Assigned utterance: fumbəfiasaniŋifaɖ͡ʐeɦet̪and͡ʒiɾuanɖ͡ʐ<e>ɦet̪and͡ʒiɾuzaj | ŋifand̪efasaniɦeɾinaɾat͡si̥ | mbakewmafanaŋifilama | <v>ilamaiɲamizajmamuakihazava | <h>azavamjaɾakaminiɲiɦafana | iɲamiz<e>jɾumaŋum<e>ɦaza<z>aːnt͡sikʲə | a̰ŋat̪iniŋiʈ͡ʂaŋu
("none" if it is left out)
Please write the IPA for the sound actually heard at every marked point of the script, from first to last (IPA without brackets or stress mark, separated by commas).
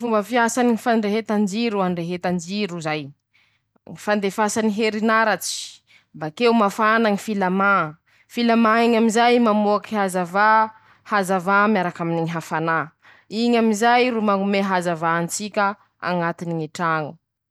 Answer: e, f, h, a, e, v